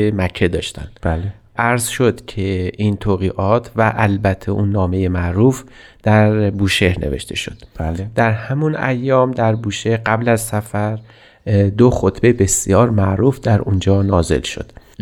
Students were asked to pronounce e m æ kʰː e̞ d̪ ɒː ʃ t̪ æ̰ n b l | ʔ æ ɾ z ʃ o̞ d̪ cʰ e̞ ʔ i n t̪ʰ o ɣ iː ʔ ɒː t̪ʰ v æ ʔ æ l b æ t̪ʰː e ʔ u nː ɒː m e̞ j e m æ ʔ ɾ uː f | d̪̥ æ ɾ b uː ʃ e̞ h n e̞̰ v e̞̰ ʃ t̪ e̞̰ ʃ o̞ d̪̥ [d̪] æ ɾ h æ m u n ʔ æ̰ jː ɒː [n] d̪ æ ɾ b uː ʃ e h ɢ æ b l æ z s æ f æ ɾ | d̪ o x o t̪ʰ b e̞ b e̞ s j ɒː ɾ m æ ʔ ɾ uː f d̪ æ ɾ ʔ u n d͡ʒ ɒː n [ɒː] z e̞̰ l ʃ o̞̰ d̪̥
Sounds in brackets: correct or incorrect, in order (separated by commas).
correct, incorrect, correct